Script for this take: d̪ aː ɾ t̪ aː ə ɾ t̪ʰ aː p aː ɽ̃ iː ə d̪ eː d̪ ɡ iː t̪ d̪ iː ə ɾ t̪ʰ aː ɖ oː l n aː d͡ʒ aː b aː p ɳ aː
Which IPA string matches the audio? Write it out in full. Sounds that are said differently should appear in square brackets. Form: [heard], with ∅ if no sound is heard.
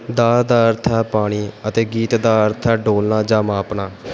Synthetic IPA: d̪ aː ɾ [d̪] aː ə ɾ t̪ʰ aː p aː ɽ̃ iː ə [t̪] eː [∅] ɡ iː t̪ d̪ [aː] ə ɾ t̪ʰ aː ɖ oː l n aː d͡ʒ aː [m] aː p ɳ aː